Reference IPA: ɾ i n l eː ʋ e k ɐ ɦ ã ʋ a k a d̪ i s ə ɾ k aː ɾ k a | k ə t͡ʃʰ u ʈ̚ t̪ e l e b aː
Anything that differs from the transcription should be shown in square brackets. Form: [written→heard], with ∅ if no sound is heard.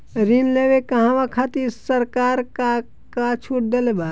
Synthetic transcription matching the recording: ɾ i n l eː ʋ e k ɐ ɦ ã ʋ a [k→kʰ] a [d̪→t̪] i s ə ɾ k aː ɾ k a | k [ə→a] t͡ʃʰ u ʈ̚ [t̪→d̪] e l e b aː

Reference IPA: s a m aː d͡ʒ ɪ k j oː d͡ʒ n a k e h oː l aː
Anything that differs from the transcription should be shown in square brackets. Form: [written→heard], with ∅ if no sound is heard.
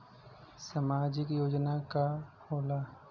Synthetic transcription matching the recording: s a m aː d͡ʒ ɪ k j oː d͡ʒ n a k [e→a] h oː l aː

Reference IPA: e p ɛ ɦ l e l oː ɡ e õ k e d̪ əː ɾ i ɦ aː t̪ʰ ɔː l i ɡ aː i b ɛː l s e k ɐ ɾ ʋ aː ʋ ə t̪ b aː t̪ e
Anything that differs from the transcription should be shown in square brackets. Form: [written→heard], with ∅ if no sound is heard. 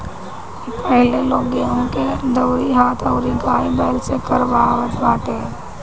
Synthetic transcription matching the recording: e p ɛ ɦ l e l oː ɡ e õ k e d̪ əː ɾ i ɦ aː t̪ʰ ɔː [l→ɾ] i ɡ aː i b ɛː l s e k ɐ ɾ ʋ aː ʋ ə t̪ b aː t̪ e

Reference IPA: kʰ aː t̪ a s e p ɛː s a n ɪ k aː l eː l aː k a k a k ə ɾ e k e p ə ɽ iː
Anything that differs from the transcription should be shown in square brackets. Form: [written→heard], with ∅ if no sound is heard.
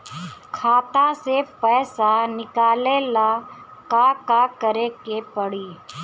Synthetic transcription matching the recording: kʰ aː t̪ a s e p ɛː s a n ɪ k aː l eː l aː k a k a k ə ɾ e k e p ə ɽ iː

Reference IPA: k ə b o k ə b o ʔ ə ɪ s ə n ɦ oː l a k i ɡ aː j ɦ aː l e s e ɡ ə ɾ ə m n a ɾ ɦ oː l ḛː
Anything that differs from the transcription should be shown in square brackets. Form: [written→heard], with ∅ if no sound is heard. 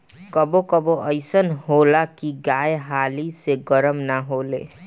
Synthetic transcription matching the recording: k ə b o k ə b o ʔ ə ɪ s ə n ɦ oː l a k i ɡ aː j ɦ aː l [e→i] s e ɡ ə ɾ ə m n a [ɾ→∅] ɦ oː l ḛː

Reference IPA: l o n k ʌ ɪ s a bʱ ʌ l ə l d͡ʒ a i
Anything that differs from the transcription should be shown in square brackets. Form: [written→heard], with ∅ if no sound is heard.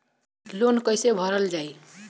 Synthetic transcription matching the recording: l o n k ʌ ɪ s [a→e] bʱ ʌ [l→ɾ] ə l d͡ʒ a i

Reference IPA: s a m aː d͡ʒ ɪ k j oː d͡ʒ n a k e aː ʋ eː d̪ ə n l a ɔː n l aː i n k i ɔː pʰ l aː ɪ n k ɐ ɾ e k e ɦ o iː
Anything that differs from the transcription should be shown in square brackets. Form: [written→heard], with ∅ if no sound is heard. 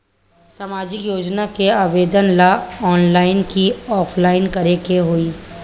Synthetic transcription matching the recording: s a m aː d͡ʒ ɪ k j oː d͡ʒ n a k e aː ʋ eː d̪ ə n l a ɔː n l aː [i→ɪ] n k i ɔː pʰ l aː ɪ n k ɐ ɾ e k e ɦ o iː

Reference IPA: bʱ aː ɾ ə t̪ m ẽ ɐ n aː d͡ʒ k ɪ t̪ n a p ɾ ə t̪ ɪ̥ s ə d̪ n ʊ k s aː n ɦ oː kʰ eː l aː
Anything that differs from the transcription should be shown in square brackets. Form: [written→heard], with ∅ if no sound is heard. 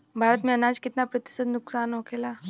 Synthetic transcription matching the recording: bʱ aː ɾ ə t̪ m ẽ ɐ n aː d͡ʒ k ɪ t̪ n a p ɾ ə t̪ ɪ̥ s ə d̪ n ʊ k s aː n ɦ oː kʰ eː l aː

